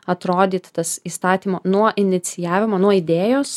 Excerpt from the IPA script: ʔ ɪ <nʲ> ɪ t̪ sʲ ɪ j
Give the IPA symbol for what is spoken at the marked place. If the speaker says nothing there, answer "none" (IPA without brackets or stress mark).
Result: nʲ